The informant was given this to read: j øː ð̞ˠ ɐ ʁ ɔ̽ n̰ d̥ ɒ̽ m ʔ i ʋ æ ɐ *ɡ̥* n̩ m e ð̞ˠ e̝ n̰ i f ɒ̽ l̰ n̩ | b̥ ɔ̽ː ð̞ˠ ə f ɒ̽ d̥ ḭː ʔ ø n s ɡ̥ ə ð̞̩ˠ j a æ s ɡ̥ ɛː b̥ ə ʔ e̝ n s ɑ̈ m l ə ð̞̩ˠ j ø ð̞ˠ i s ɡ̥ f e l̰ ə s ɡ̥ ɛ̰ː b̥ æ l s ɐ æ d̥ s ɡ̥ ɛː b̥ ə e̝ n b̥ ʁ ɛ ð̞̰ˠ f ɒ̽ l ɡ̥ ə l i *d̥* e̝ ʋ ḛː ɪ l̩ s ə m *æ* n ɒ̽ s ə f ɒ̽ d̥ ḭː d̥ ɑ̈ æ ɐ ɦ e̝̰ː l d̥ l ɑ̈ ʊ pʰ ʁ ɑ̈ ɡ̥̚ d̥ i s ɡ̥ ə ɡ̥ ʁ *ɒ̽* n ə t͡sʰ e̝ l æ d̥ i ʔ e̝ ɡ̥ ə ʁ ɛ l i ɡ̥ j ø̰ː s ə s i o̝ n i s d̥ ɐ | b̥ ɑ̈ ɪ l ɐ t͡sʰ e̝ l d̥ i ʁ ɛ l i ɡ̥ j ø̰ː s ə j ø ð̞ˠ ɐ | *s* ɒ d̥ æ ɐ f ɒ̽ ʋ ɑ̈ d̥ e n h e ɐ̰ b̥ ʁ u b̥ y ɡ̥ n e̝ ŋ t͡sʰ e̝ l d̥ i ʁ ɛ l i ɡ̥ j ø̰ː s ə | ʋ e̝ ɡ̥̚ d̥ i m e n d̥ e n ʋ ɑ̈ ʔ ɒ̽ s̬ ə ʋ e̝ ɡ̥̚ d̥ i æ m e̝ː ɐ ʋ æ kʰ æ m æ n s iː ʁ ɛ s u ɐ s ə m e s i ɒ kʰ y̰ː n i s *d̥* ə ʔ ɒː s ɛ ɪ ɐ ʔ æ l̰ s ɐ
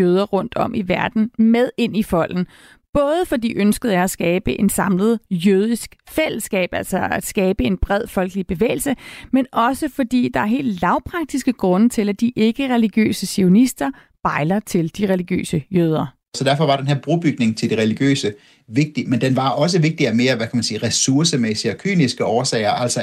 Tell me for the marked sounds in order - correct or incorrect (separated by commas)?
incorrect, incorrect, incorrect, incorrect, correct, incorrect